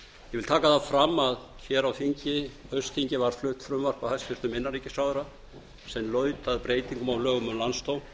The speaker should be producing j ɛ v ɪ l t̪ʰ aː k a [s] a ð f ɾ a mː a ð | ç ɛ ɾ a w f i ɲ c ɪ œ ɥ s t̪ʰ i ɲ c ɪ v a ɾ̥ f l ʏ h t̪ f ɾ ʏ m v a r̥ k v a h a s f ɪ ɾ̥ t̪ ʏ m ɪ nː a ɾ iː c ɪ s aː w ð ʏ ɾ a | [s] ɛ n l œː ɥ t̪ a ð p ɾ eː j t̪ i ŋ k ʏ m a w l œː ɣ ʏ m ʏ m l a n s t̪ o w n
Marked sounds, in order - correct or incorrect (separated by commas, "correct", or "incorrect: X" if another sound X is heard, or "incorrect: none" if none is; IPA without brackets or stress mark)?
incorrect: θ, correct